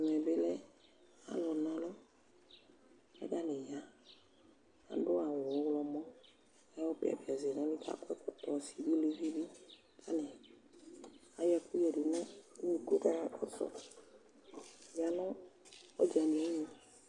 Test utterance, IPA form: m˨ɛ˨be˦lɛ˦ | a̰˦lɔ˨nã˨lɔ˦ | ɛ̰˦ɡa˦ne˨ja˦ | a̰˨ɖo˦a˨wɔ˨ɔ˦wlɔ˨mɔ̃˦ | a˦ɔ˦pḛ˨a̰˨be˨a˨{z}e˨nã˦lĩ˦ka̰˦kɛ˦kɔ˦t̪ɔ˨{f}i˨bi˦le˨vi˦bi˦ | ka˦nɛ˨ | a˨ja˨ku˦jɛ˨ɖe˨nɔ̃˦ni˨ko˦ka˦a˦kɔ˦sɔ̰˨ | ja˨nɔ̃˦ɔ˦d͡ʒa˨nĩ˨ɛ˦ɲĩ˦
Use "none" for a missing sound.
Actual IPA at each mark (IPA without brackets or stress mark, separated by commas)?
z, s